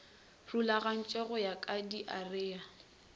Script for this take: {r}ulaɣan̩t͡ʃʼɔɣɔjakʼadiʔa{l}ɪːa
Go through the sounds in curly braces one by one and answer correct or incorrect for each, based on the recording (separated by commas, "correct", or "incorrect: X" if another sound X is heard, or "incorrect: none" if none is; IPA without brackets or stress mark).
correct, incorrect: r